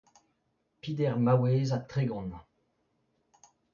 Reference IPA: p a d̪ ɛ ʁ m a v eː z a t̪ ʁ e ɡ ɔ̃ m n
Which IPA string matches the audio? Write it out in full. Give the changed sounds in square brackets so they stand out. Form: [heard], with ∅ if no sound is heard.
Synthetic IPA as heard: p [i] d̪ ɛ ʁ m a [w] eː z a t̪ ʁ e ɡ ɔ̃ [∅] n